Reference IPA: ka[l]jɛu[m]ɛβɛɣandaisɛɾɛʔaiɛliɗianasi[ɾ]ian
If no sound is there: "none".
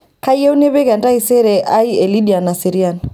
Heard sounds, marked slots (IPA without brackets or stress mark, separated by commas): none, n, ɾ